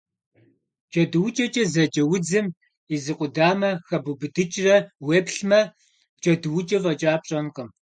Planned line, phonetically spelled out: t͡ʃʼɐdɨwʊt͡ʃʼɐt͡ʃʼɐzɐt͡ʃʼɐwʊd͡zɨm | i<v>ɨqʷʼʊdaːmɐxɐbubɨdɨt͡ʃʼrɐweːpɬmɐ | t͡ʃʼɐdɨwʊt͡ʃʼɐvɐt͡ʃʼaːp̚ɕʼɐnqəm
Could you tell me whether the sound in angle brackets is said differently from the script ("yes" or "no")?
yes